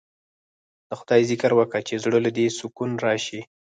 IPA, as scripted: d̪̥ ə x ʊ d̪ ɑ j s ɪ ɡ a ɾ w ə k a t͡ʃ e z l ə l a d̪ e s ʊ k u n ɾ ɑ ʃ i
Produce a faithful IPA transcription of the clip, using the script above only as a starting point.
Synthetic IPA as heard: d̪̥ ə x ʊ d̪ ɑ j z ɪ k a ɾ w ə k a t͡ʃ e z ɽ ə l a d̪ e s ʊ k u n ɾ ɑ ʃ i

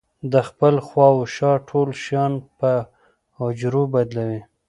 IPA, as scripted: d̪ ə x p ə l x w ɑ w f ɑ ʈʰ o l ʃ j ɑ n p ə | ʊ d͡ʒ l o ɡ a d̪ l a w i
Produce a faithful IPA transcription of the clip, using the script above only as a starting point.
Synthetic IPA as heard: d̪ ə x p ə l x w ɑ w ʃ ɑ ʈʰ o l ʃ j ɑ n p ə | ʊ d͡ʒ ɾ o b a d̪ l a w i

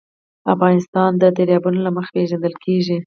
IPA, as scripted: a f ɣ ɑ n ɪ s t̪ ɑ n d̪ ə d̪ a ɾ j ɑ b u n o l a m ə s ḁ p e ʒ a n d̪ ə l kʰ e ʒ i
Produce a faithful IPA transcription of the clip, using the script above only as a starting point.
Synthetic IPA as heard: a f ɣ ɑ n ɪ s t̪ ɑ n d̪ ə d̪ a ɾ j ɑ b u n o l a m ə x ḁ p e ʒ a n d̪ ə l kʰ e ʒ i

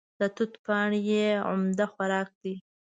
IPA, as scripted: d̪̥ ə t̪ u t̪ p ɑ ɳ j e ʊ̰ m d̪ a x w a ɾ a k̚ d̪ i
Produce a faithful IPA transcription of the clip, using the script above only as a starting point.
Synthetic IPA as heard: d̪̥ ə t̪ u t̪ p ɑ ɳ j e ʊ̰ m d̪ a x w a ɾ ɑ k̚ d̪ i

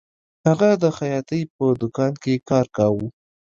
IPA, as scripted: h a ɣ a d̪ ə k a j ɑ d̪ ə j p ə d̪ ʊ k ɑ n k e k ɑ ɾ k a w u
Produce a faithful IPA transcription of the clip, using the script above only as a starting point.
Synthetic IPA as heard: h a ɣ a d̪ ə x a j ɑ t̪ ə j p ə d̪ ʊ k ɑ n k e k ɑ ɾ k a w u

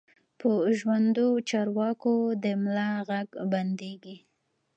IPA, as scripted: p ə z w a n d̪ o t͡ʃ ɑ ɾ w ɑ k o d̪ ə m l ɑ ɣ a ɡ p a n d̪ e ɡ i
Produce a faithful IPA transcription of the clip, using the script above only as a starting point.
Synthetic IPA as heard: p ə ʒ w a n d̪ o t͡ʃ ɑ ɾ w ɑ k o d̪ ə m l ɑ ɣ a ɡ b a n d̪ e ɡ i

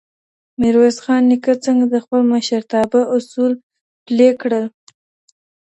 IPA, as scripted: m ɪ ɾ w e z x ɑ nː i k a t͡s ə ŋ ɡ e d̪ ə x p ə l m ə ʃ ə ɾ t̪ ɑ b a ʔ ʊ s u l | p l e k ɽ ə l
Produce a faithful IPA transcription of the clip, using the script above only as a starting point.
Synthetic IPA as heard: m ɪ ɾ w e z x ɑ nː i k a t͡s ə ŋ ɡ a d̪ ə x p ə l m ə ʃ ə ɾ t̪ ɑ b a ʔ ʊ s u l | p l e k ɽ ə l

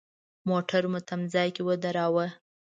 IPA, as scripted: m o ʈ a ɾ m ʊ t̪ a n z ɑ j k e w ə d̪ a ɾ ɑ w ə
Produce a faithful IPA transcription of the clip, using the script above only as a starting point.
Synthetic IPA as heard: m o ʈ a ɾ m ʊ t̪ a m z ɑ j k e w ə d̪ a ɾ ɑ w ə

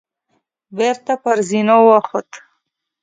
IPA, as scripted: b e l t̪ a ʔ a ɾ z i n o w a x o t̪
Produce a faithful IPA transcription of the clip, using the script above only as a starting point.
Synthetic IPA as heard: b e ɾ t̪ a p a ɾ z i n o w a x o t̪

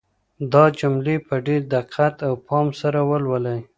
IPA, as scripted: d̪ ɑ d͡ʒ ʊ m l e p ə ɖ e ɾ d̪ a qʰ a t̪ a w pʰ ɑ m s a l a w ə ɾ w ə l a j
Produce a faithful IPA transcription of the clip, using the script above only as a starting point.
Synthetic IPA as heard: d̪ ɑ d͡ʒ ʊ m l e p ə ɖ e ɾ d̪ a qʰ a t̪ a w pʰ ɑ m s a ɾ a w ə l w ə l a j

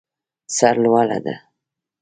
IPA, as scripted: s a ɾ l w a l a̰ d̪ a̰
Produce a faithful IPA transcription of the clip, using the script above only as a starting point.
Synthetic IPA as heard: s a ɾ l w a l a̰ d̪ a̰

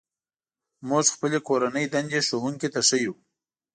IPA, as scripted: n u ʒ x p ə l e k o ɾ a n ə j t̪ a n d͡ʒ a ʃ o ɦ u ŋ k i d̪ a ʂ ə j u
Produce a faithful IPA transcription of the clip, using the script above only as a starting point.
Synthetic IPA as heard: m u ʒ x p ə l e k o ɾ a n ə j d̪ a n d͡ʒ e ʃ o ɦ u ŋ k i t̪ a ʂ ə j u

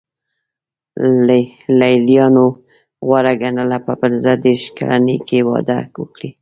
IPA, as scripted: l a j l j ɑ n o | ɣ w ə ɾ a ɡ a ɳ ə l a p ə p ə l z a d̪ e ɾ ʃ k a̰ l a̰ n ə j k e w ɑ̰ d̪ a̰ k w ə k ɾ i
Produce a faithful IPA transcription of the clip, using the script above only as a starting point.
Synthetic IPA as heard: l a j l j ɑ n o | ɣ w a ɾ a ɡ a n ə l a p ə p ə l z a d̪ e ɾ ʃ k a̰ l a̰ n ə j k e w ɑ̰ d̪ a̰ k w ə k ɽ i

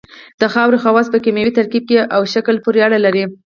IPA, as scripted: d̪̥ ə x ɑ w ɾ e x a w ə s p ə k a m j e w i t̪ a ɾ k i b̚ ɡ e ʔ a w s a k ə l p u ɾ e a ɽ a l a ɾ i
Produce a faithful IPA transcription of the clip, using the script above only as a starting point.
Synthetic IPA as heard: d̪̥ ə x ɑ w ɾ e x a w ɑ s p ə k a m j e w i t̪ a ɾ k i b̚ k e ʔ a w ʃ a k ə l p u ɾ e a ɽ a l a ɾ i

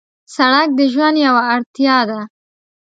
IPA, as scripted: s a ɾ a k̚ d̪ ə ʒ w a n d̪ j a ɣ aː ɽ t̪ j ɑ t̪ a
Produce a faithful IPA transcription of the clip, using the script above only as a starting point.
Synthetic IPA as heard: s a ɽ a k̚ d̪ ə ʒ w a n d̪ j a w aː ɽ t̪ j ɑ d̪ a

